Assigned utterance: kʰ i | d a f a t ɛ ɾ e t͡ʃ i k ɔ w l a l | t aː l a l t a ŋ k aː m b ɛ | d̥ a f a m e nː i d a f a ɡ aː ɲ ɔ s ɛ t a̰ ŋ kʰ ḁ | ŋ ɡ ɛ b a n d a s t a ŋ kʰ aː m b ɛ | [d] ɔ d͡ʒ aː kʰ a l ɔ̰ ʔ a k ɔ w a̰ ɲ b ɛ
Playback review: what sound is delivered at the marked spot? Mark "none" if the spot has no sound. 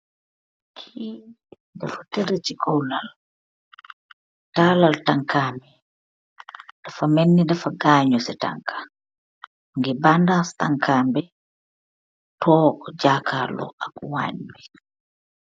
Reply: t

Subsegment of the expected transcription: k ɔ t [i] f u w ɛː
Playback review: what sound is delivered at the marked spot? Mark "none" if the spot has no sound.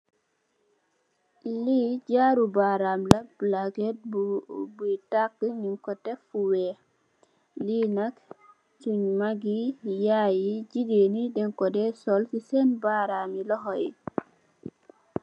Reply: ɛ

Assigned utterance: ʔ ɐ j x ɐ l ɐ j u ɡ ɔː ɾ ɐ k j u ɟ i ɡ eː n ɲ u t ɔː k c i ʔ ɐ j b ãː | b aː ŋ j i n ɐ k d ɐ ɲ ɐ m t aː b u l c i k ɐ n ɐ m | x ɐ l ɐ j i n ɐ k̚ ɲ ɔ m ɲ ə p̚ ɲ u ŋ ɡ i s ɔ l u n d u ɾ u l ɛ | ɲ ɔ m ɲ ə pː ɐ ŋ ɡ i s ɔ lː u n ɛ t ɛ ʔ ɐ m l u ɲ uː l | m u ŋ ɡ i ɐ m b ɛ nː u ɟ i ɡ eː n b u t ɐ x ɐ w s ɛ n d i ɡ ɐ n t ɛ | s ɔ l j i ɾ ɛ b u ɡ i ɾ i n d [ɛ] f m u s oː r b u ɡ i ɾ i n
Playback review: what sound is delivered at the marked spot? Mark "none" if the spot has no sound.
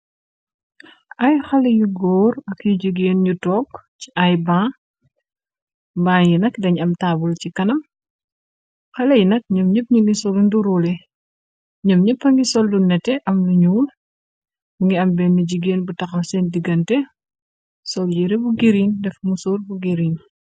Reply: ɛ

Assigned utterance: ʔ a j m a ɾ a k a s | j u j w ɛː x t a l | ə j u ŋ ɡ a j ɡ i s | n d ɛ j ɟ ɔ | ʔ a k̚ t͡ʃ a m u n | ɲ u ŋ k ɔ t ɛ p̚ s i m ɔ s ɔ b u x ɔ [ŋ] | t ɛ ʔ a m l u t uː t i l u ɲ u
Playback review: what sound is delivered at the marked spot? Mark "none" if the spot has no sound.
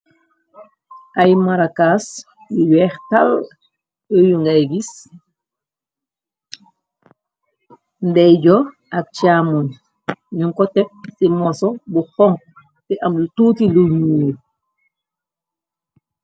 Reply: ŋ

